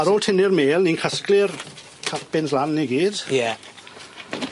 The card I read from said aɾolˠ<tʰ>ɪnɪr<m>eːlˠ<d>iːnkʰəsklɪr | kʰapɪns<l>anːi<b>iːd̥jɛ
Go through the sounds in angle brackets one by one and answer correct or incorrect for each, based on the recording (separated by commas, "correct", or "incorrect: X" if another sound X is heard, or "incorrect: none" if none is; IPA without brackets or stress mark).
correct, correct, incorrect: n, correct, incorrect: ɡ